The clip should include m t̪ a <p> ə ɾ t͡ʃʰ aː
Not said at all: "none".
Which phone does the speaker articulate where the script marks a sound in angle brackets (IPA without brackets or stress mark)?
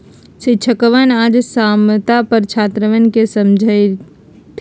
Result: p